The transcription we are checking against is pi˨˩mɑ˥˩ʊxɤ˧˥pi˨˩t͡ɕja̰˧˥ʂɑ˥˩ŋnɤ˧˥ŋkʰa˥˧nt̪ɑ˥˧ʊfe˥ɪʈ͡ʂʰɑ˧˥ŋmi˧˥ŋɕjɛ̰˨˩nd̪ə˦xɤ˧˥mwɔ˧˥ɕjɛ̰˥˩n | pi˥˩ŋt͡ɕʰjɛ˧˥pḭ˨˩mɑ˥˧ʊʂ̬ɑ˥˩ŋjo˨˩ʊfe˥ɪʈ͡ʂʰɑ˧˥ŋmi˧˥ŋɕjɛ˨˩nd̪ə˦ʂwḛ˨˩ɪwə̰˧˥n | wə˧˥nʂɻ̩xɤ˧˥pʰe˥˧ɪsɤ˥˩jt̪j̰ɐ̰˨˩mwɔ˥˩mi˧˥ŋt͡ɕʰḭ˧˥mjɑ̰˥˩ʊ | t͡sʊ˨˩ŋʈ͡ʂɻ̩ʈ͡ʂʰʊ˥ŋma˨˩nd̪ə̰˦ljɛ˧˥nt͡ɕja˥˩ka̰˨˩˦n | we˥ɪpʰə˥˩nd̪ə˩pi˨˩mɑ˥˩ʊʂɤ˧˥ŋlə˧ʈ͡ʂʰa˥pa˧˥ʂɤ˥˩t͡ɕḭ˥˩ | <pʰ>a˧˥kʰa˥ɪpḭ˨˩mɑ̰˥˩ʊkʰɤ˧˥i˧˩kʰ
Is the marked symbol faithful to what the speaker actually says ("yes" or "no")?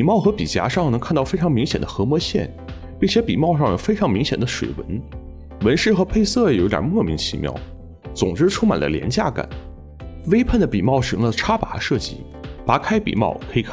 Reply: no